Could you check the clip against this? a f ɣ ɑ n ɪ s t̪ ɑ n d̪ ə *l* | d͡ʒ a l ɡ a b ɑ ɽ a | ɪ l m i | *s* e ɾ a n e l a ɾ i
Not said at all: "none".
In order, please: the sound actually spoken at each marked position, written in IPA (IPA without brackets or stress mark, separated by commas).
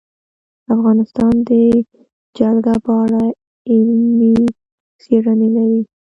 none, s